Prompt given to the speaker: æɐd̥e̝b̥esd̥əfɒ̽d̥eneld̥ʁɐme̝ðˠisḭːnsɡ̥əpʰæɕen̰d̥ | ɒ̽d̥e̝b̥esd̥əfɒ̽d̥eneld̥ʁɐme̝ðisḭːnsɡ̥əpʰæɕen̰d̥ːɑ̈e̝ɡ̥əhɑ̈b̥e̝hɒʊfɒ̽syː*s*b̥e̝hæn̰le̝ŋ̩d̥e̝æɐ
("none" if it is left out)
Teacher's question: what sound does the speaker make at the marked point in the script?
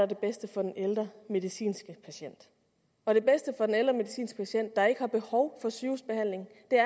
s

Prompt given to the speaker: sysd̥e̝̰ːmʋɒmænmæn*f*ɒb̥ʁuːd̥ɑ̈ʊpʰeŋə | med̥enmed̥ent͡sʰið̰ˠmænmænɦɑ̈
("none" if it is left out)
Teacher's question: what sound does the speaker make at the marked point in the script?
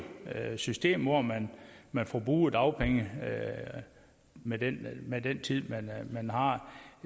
f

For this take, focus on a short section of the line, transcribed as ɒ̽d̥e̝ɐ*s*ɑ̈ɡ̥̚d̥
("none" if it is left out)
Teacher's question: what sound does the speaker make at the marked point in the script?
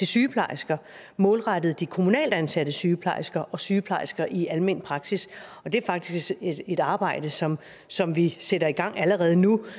f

